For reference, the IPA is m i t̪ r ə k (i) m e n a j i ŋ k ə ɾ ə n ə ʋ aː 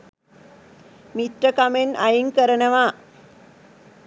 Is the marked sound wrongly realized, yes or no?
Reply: yes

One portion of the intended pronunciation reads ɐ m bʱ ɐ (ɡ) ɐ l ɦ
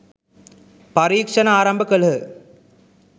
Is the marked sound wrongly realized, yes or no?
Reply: yes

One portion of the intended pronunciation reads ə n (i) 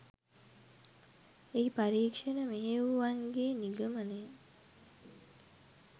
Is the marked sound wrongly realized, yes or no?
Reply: yes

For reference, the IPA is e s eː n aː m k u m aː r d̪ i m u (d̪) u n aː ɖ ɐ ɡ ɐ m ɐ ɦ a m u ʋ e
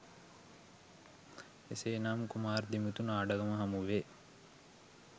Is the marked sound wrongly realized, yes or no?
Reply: yes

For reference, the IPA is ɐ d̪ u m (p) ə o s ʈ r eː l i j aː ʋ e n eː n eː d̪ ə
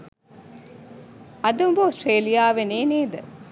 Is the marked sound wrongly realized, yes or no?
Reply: yes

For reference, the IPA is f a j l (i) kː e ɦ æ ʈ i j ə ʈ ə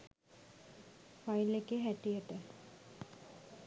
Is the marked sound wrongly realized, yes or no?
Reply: yes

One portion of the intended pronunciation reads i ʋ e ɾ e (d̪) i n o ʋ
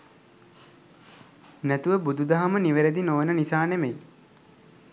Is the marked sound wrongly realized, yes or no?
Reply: no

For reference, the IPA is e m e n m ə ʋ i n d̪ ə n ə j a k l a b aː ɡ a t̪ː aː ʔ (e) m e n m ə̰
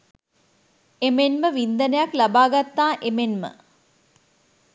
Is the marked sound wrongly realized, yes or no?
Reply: no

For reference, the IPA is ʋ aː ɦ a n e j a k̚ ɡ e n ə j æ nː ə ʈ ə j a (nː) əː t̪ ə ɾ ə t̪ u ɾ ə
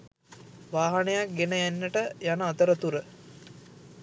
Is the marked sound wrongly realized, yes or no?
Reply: yes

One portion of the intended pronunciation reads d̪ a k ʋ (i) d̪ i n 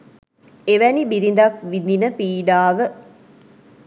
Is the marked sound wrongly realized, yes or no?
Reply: no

